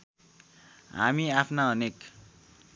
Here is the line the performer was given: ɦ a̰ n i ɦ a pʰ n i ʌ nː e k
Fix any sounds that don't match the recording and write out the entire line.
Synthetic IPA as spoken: ɦ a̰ m i a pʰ n a ʌ n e k

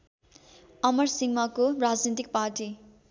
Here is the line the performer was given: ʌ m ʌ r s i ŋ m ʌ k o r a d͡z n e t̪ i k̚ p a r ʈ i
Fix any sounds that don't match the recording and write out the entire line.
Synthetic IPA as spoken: ʌ m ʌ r s i ŋ m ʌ k o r a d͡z n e t̪ i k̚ p a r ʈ i

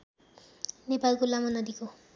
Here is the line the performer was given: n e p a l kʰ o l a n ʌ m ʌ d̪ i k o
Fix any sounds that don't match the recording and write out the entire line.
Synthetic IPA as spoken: n e p a l k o l a m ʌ n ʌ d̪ i k o

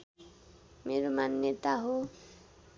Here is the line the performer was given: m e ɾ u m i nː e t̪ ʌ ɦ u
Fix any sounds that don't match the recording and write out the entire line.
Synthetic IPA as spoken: m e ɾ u m a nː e t̪ a ɦ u

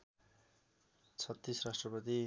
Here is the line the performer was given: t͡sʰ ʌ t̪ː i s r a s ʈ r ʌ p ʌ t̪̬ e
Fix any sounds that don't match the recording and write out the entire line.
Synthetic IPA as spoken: t͡sʰ ʌ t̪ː i s r a s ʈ r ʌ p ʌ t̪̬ i

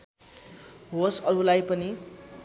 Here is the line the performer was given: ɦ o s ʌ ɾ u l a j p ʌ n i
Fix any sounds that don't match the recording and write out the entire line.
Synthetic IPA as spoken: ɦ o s ʌ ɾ u l a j p ʌ n i

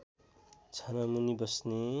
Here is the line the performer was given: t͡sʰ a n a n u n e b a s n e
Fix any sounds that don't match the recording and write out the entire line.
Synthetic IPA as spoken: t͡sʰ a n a m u n i b ʌ s n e

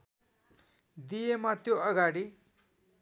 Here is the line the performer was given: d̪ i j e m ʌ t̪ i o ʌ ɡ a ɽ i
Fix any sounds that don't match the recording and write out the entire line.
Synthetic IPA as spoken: d̪ i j e m a t̪ j o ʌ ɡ a ɽ i

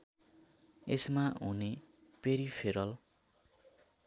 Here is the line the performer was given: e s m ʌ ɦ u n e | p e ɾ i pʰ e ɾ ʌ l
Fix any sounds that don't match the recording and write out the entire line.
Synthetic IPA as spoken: e s m a ɦ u n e | p e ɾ i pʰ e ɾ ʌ l

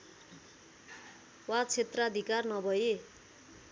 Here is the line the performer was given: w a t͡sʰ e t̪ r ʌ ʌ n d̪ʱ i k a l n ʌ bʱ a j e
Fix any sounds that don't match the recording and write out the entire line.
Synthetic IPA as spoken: w a t͡sʰ e t̪ r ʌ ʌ d̪ʱ i k a r n ʌ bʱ ʌ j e

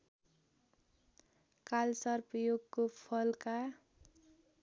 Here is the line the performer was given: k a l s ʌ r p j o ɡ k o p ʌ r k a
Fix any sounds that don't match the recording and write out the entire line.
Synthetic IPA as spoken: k a l s ʌ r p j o ɡ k o pʰ ʌ l k a

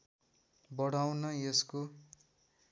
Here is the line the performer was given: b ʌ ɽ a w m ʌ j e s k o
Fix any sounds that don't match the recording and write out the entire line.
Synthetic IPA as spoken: b ʌ ɽ a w n ʌ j e s k o

